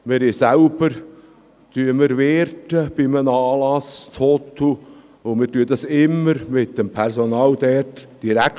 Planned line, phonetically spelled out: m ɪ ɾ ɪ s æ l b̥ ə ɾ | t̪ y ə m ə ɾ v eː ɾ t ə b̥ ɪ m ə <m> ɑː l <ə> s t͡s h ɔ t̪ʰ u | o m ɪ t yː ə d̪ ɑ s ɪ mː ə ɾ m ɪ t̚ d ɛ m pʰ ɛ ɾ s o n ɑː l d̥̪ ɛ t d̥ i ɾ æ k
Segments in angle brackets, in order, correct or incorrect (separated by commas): incorrect, incorrect